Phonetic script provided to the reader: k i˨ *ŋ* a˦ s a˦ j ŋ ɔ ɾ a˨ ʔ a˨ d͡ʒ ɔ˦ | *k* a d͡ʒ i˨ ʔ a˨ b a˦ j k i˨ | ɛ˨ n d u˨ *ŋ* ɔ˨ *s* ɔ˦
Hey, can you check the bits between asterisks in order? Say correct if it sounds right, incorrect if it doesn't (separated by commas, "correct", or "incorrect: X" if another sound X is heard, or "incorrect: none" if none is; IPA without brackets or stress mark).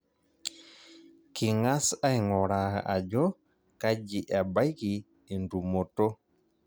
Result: correct, correct, incorrect: m, incorrect: t